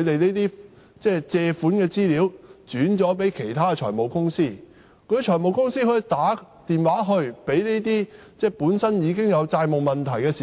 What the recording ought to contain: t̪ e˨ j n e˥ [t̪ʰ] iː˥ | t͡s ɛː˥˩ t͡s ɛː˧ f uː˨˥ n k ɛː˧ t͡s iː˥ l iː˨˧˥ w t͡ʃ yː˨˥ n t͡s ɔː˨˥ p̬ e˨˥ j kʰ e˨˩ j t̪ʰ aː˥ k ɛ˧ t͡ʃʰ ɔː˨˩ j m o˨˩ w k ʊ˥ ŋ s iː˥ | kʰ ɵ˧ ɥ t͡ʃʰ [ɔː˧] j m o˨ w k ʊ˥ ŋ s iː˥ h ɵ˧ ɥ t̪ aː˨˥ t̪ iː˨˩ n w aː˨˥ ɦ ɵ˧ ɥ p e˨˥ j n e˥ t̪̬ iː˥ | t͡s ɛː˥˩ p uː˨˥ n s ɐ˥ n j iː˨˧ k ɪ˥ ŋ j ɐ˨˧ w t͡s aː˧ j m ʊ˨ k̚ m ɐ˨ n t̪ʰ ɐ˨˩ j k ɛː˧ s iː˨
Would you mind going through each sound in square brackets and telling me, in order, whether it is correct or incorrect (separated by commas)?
incorrect, incorrect